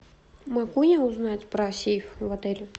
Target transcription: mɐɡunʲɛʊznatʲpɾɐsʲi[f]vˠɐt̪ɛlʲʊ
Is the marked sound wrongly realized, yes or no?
no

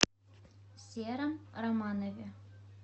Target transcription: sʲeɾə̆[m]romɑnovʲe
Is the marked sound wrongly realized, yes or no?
no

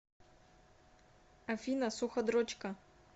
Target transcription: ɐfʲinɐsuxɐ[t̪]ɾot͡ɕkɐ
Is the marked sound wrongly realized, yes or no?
yes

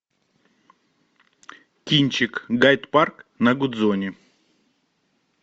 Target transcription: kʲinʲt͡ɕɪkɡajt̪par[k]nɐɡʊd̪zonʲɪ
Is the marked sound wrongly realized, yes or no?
no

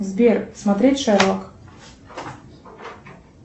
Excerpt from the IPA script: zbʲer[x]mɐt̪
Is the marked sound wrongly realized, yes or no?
yes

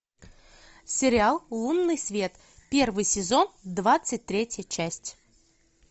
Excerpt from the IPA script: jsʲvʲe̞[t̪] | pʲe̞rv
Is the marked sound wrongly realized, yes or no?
no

